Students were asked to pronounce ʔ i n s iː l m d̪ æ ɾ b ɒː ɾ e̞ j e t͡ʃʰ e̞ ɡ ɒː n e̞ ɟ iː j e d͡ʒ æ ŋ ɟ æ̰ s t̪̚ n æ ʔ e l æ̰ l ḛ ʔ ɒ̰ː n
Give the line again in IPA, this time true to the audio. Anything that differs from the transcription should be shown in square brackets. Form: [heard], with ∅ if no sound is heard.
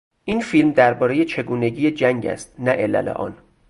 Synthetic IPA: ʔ i n [f] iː l m d̪ æ ɾ b ɒː ɾ e̞ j e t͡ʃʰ e̞ ɡ [uː] n e̞ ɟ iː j e d͡ʒ æ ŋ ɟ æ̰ s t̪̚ n æ ʔ e l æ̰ l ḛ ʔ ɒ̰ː n